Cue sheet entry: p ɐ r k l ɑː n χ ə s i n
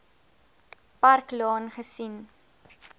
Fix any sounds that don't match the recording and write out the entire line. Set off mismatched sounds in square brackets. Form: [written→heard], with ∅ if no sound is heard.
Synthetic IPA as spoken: p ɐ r k l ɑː n χ ə s i n